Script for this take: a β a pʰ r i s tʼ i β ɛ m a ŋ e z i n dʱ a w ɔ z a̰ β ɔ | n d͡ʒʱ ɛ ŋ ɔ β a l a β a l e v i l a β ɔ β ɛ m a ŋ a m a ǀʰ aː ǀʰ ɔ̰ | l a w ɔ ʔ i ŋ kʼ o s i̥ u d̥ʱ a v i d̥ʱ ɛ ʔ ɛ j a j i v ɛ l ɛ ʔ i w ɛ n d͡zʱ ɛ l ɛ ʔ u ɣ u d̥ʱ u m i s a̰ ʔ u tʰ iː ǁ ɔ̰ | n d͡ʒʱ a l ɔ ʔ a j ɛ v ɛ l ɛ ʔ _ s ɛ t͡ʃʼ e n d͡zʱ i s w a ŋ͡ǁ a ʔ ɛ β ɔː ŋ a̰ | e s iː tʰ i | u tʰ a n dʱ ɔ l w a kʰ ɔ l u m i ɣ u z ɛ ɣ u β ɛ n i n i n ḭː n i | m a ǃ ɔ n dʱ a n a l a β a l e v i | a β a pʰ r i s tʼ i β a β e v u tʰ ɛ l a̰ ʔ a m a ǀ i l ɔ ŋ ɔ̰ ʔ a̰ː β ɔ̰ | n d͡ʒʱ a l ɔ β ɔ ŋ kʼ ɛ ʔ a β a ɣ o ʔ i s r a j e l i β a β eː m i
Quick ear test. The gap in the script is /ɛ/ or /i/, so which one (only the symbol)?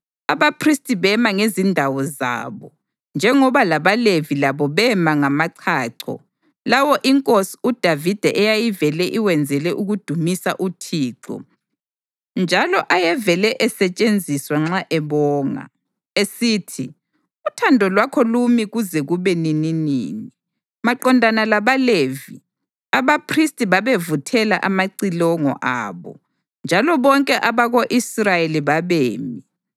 ɛ